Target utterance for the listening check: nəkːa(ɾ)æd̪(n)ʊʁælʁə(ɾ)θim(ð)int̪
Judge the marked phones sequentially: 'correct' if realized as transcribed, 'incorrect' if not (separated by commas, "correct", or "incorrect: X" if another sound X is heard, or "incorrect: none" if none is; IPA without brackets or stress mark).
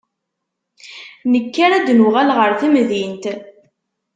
correct, correct, correct, correct